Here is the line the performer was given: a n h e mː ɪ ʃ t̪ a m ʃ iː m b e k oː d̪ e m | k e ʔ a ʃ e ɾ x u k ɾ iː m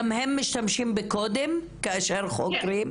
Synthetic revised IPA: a m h e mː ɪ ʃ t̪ a m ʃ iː m b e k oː d̪ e m | k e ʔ a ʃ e ɾ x o k ɾ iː m

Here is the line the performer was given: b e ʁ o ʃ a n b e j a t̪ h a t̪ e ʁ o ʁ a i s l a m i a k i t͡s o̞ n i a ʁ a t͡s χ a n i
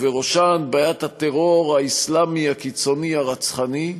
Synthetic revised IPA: v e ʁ o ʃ a n b a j a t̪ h a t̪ e ʁ o ʁ a i s l a m i a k i t͡s o̞ n i a ʁ a t͡s χ a n i

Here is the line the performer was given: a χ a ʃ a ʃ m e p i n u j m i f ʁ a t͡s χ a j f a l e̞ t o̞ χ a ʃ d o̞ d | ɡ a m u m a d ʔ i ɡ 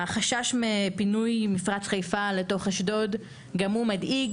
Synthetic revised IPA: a χ a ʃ a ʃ m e p i n u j m i f ʁ a t͡s χ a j f a l e̞ t o̞ χ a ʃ d o̞ d | ɡ a m u m a d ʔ i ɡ

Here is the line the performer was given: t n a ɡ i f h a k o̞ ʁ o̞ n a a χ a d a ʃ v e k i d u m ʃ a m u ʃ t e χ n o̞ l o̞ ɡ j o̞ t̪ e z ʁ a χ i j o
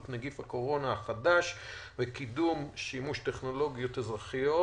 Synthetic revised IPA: t n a ɡ i f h a k o̞ ʁ o̞ n a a χ a d a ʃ v e k i d u m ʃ i m u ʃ t e χ n o̞ l o̞ ɡ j o̞ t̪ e z ʁ a χ i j o

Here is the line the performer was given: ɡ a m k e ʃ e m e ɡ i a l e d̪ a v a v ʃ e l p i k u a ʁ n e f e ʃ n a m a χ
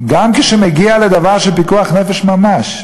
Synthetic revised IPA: ɡ a m k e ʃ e m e ɡ i a l e d̪ a v a ʁ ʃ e l p i k u a χ n e f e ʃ m a m a ʃ

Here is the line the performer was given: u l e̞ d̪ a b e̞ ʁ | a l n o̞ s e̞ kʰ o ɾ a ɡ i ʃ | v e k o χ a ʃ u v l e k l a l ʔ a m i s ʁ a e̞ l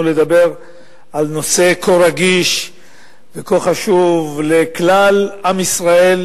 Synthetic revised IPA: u l e̞ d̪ a b e̞ ʁ | a l n o̞ s e̞ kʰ o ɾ a ɡ i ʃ | v e k o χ a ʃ u v l e k l a l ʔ a m i s ʁ a e̞ l

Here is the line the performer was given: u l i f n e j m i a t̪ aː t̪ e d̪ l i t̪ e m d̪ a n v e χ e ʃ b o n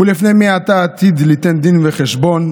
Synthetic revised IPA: u l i f n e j m i a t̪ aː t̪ i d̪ l i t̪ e n d̪ i n v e χ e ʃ b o n

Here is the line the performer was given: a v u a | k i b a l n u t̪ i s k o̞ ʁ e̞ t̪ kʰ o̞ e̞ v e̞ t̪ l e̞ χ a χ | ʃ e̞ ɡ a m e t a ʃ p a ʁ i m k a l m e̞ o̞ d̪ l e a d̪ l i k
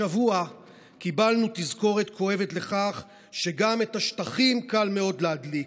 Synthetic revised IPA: a v u a | k i b a l n u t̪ i z k o̞ ʁ e̞ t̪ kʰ o̞ e̞ v e̞ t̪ l e̞ χ a χ | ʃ e̞ ɡ a m e t a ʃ t a χ i m k a l m e̞ o̞ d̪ l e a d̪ l i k

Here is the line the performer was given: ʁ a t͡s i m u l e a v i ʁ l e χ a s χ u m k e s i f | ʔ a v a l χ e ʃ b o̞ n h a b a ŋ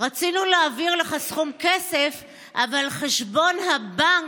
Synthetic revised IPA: ʁ a t͡s i n u l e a v i ʁ l e χ a s χ u m k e s e f | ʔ a v a l χ e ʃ b o̞ n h a b a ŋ

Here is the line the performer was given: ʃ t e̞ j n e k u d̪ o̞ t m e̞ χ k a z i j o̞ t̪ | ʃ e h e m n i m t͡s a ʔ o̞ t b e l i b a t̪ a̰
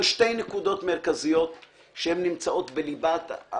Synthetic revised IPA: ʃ t e̞ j n e k u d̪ o̞ t m e̞ ʁ k a z i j o̞ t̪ | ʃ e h e m n i m t͡s a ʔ o̞ t b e l i b a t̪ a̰

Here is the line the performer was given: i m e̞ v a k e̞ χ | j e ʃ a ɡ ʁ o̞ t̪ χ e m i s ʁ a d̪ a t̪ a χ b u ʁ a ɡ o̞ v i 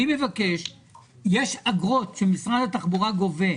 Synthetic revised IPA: i m e̞ v a k e̞ ʃ | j e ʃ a ɡ ʁ o̞ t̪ ʃ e m i s ʁ a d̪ a t̪ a χ b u ʁ a ɡ o̞ v e

